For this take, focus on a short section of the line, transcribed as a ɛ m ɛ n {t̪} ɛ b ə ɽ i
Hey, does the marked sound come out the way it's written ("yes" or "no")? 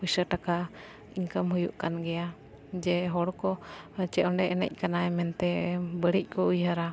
yes